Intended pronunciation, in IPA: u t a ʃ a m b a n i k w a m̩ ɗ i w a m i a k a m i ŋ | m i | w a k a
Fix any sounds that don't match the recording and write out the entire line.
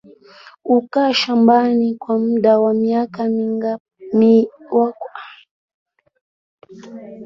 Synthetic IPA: u k a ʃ a m b a n i k w a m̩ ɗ a w a m i a k a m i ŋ | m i | w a k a